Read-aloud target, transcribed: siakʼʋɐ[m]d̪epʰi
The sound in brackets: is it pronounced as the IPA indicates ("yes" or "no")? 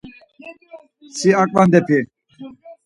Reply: no